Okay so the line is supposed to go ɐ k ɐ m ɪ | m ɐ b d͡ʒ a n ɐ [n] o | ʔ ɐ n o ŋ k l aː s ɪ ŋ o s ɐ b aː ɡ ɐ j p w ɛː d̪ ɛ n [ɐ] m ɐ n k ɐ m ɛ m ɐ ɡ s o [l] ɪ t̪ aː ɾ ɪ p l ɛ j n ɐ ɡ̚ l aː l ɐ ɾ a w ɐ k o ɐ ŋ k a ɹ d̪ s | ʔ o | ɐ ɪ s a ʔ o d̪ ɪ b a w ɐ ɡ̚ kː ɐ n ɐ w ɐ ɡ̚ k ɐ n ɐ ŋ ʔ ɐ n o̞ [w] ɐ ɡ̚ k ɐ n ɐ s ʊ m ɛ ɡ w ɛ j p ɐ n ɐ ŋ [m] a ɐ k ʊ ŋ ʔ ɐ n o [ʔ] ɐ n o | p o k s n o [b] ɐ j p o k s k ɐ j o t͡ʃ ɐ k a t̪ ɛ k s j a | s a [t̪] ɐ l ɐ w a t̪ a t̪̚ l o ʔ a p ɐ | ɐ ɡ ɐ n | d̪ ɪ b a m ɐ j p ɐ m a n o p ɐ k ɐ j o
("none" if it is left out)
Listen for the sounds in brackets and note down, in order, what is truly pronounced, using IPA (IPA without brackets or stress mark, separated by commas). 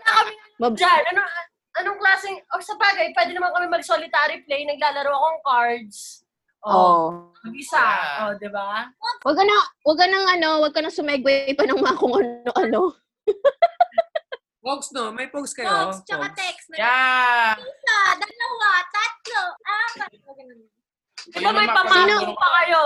n, ɐ, l, w, m, ʔ, m, d̪